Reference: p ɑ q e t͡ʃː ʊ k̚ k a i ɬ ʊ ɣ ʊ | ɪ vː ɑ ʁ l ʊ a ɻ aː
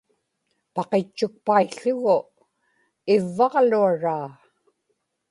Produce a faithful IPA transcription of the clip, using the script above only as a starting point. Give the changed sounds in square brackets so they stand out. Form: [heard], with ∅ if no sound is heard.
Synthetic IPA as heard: p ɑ q e t͡ʃː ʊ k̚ [p] a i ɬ ʊ ɣ ʊ | ɪ vː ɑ ʁ l [u] a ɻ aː